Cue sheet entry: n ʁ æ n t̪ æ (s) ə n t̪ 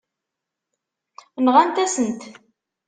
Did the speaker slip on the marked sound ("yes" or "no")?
no